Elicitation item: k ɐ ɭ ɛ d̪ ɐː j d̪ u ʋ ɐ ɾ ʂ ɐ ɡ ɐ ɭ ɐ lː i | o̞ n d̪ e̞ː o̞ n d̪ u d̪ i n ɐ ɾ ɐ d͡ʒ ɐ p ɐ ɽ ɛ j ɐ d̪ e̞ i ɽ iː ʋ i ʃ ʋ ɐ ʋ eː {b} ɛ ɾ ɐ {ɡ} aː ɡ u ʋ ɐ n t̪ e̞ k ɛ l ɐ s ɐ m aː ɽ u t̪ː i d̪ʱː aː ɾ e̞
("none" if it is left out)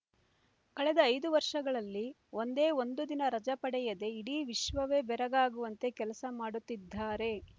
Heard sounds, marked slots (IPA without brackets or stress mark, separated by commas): b, ɡ